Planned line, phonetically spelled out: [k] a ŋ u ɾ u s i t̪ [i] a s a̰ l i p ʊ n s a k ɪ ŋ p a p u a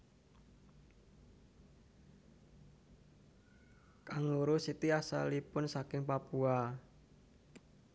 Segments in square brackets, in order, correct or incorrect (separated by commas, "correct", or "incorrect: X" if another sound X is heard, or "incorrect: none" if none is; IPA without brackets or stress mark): correct, correct